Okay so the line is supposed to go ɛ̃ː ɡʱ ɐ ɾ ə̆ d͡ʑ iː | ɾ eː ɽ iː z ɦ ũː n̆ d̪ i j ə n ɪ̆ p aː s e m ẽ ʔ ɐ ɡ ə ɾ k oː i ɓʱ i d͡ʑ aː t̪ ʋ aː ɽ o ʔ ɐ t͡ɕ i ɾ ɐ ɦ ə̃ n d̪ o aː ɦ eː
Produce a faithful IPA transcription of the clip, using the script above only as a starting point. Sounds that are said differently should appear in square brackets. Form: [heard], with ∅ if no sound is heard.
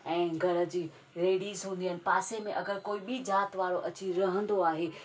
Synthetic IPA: ɛ̃ː ɡʱ ɐ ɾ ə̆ d͡ʑ iː | ɾ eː ɽ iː z ɦ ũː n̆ d̪ i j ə n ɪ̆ p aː s e m ẽ ʔ ɐ ɡ ə ɾ k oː i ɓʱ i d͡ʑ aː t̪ ʋ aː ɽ o ʔ ɐ t͡ɕ i ɾ ɐ ɦ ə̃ n d̪ o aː ɦ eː